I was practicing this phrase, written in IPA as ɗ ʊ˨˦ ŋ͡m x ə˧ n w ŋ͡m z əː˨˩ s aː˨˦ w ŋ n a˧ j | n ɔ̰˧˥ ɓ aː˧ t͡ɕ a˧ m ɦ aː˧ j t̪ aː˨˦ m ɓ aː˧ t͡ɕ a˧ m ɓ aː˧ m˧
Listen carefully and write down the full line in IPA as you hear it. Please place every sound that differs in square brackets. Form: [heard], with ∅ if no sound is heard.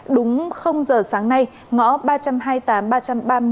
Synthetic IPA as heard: ɗ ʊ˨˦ ŋ͡m x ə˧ [∅] w ŋ͡m z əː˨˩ s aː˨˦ [∅] ŋ n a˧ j | [ŋ] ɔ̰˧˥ ɓ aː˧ t͡ɕ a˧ m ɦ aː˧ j t̪ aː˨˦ m ɓ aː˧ t͡ɕ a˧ m ɓ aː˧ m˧